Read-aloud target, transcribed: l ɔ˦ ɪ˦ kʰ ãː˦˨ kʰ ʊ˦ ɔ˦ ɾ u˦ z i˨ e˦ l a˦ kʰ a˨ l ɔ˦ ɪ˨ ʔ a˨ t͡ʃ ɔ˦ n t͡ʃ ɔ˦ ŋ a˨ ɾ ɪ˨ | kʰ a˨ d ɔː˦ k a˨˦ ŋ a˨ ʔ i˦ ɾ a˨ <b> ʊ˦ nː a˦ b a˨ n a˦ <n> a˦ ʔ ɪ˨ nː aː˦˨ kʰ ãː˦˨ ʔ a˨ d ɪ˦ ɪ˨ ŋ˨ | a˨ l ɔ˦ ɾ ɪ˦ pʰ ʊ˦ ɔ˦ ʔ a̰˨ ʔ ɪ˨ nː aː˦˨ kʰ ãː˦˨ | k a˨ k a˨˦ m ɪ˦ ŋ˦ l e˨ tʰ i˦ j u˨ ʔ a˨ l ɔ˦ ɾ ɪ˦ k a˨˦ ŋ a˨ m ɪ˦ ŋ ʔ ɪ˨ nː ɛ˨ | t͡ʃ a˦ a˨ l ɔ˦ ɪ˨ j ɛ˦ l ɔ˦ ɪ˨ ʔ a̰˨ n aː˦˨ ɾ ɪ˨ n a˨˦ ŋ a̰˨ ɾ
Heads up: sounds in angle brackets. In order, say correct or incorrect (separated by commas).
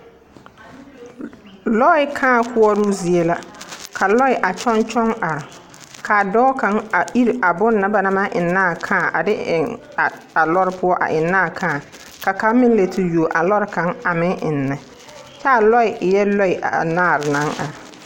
correct, incorrect